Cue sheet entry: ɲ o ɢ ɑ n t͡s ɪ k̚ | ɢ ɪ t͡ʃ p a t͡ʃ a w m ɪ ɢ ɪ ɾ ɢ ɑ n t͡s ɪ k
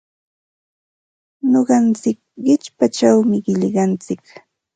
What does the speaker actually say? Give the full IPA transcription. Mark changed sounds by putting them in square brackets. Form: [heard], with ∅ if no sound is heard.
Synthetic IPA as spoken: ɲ o ɢ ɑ n t͡s ɪ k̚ | ɢ ɪ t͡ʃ p a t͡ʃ a w m ɪ ɢ ɪ [ʎ] ɢ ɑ n t͡s ɪ k